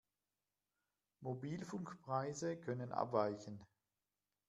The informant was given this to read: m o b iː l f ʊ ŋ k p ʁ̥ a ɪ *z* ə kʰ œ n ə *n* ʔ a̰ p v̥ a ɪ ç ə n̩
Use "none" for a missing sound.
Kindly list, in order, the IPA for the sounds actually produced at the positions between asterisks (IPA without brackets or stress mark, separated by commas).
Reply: z, n